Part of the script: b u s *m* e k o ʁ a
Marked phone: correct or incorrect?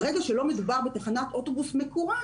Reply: correct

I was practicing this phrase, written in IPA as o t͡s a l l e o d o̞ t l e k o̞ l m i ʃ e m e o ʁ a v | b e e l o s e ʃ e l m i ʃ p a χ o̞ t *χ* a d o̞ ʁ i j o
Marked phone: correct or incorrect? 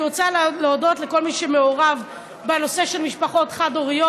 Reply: correct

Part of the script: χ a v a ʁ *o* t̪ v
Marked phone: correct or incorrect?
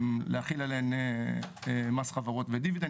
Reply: correct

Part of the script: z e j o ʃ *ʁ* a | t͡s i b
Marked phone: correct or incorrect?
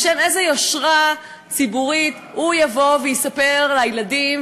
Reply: correct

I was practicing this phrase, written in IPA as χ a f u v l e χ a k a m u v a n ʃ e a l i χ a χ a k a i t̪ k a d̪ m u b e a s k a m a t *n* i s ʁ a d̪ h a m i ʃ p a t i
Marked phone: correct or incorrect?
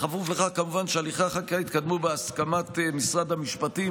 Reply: incorrect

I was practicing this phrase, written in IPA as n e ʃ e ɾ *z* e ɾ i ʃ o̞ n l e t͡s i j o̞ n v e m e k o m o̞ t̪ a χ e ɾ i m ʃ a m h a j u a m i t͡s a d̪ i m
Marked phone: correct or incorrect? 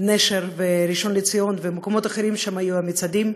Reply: incorrect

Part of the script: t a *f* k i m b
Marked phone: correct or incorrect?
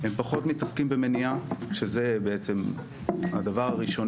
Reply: incorrect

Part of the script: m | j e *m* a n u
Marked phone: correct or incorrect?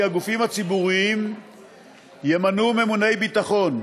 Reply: correct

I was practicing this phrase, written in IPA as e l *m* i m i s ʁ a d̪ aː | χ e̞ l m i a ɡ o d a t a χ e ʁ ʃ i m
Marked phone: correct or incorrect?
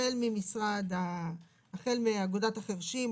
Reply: correct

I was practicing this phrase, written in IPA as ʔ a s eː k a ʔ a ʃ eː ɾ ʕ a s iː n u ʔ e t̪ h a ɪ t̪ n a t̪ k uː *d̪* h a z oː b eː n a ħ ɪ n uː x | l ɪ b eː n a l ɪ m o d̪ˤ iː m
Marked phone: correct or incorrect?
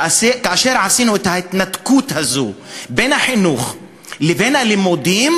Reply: incorrect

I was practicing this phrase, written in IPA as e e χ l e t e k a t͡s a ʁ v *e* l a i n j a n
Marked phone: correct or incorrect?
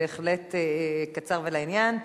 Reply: correct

